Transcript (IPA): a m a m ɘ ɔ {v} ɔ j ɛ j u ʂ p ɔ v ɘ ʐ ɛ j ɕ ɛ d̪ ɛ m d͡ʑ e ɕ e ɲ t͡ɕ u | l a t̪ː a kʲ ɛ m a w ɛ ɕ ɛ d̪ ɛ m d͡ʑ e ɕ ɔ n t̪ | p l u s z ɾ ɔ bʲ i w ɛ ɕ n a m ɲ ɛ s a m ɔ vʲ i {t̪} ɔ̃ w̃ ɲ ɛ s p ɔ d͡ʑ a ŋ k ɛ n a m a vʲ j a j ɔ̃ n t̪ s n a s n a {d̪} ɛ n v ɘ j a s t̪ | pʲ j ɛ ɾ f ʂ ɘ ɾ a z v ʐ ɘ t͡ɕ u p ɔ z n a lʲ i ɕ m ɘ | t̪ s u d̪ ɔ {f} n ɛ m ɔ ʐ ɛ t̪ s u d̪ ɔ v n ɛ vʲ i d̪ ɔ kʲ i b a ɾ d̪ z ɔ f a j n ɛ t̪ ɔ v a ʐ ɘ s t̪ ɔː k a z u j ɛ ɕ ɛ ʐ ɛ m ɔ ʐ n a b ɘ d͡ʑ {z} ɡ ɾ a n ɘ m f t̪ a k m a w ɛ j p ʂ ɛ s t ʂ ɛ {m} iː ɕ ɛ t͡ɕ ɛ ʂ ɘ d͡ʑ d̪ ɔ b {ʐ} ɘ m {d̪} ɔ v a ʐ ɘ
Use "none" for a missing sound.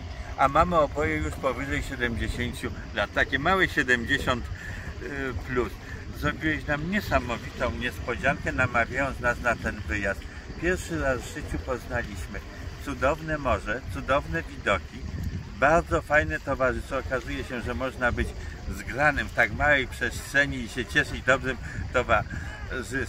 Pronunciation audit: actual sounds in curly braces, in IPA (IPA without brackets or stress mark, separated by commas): b, t̪, t̪, v, z, ɲ, ʐ, t̪